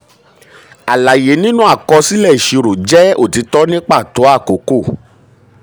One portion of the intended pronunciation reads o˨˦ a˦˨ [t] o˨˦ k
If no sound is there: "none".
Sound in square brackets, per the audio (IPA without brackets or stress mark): k